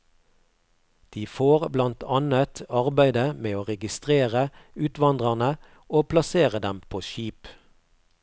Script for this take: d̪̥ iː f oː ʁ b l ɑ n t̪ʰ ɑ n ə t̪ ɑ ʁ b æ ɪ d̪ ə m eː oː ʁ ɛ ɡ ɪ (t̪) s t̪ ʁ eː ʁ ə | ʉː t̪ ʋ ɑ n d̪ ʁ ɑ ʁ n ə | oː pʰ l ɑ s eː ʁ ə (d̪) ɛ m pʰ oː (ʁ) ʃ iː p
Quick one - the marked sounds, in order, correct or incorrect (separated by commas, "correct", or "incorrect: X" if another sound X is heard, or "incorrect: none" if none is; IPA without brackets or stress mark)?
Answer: incorrect: none, correct, incorrect: none